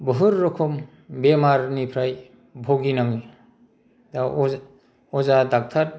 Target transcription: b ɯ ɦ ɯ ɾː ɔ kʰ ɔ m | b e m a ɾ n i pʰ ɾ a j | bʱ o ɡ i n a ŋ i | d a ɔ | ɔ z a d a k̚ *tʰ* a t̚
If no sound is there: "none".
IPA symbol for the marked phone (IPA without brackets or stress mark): tʰ